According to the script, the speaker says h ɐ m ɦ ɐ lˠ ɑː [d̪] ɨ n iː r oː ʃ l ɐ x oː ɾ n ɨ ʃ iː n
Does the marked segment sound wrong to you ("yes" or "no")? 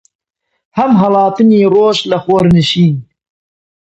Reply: yes